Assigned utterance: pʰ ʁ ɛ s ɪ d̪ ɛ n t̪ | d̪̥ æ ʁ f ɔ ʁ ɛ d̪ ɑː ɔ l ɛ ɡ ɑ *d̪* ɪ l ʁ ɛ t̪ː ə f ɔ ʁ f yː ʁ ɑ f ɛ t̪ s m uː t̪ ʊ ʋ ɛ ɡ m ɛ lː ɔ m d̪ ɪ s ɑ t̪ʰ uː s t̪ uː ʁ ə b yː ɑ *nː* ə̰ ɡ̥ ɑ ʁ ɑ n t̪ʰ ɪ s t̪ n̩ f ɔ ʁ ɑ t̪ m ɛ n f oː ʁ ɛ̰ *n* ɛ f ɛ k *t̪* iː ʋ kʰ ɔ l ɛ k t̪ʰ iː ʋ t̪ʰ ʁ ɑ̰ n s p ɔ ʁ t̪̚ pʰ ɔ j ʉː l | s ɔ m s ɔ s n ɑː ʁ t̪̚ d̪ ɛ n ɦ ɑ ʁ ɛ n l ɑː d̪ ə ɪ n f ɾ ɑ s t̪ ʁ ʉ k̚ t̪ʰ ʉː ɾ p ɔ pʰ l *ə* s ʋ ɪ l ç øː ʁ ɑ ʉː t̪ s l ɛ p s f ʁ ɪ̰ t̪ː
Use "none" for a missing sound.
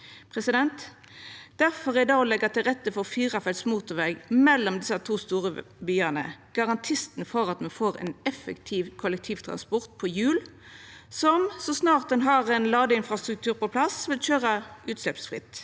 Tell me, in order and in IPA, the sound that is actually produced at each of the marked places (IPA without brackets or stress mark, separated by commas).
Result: t̪, n, n, t̪ʰ, ɑ